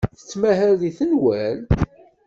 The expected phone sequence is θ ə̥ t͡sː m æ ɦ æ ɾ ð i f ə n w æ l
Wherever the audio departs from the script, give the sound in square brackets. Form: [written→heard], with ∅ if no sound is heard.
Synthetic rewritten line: θ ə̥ t͡sː m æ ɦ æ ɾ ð i [f→θ] ə n w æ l